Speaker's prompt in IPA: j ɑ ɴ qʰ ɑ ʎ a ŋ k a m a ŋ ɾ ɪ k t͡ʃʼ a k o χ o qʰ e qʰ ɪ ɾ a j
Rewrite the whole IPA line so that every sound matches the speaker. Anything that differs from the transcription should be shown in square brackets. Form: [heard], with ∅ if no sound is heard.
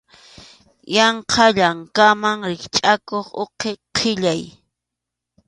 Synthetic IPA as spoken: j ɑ ɴ qʰ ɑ ʎ a ŋ k a m a ŋ ɾ ɪ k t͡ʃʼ a k o χ o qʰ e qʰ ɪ [ʎ] a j